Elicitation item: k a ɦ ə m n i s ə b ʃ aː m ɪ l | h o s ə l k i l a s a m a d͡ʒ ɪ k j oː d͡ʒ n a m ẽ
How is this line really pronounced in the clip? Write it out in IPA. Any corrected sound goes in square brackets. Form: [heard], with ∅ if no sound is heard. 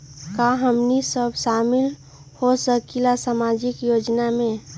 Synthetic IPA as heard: k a ɦ ə m n i s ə b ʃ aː m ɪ l | h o s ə [∅] k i l a s a m a d͡ʒ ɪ k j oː d͡ʒ n a m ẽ